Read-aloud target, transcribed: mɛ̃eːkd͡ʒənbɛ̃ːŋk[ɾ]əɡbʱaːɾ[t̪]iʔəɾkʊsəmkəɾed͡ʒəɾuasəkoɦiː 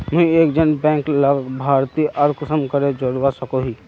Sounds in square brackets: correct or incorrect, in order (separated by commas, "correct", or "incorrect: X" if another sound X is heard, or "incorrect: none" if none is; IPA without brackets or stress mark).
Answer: incorrect: l, correct